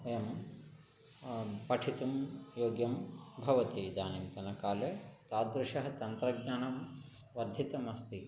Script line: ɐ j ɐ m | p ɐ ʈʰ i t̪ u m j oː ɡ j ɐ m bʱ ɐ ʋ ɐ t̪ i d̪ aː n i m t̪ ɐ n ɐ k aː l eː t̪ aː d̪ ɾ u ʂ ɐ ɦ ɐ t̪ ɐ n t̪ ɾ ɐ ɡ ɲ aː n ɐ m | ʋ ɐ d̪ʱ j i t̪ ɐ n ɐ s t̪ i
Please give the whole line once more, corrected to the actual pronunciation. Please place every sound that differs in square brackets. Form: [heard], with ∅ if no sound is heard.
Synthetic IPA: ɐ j ɐ m | p ɐ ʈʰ i t̪ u m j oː ɡ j ɐ m bʱ ɐ ʋ ɐ t̪ i d̪ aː n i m t̪ ɐ n ɐ k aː l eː t̪ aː d̪ ɾ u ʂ ɐ ɦ ɐ t̪ ɐ n t̪ ɾ ɐ ɡ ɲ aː n ɐ m | ʋ ɐ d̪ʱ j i t̪ ɐ [m] ɐ s t̪ i